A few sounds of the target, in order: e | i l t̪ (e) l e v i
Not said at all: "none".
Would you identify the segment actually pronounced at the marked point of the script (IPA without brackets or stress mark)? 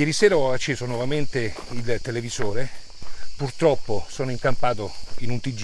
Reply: e